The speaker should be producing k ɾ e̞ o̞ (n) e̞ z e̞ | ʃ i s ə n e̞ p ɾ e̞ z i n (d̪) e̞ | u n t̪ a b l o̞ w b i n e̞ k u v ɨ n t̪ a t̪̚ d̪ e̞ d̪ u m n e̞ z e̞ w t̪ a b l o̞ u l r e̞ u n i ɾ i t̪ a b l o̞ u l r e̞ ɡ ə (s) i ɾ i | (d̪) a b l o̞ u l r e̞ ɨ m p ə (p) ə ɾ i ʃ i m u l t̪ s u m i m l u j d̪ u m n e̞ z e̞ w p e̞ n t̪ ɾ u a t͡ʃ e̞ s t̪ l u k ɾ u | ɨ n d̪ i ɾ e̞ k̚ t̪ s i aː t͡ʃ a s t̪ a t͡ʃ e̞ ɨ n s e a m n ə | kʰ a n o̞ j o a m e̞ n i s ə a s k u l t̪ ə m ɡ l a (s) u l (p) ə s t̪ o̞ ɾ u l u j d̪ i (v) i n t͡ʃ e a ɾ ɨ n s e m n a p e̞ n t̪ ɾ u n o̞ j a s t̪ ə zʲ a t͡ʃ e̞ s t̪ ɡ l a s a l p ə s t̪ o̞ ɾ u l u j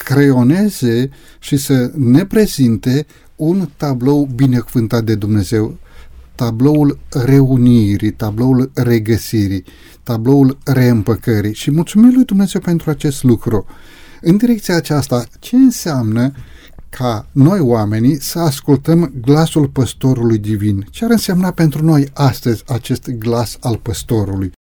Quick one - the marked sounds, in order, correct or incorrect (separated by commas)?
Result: correct, incorrect, correct, incorrect, incorrect, correct, correct, correct